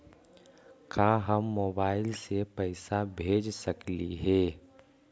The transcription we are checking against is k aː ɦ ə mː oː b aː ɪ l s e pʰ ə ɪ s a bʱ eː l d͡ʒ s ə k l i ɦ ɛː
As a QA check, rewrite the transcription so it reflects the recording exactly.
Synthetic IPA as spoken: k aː ɦ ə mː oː b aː ɪ l s e p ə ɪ s a bʱ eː d͡ʒ s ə k l i ɦ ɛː